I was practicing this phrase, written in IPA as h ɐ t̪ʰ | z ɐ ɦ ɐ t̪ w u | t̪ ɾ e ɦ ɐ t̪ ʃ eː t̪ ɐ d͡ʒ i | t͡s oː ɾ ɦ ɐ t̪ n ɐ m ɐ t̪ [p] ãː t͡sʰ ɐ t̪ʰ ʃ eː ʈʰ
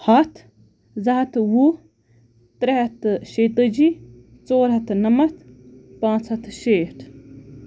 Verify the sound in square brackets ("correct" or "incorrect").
correct